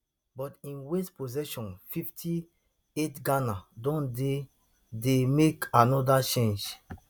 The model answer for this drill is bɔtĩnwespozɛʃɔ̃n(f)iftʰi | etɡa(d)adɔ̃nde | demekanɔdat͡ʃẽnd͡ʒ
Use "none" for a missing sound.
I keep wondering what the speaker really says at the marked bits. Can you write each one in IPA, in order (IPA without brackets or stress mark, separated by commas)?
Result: f, n